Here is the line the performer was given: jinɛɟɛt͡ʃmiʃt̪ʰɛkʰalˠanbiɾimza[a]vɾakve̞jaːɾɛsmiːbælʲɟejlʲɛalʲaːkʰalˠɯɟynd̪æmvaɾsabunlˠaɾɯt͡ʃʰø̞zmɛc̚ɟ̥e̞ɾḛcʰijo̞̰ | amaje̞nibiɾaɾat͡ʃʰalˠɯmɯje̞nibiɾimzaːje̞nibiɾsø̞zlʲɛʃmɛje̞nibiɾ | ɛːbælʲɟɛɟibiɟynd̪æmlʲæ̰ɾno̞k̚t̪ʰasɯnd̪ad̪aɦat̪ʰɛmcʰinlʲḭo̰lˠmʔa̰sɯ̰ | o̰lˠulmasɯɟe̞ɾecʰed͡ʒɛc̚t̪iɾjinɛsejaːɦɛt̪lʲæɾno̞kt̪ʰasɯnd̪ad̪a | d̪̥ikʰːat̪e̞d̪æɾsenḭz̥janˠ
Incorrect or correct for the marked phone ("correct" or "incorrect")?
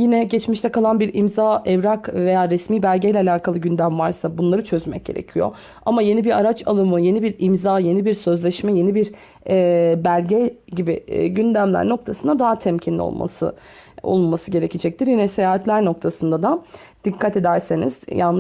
incorrect